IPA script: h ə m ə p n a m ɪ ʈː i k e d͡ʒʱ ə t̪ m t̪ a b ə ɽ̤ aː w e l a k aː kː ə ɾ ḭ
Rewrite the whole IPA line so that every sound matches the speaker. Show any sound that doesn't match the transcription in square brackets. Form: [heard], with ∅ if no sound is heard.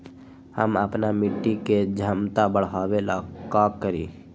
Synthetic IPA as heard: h ə m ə p n a m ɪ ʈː i k e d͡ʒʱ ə [∅] m t̪ a b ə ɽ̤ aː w e l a k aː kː ə ɾ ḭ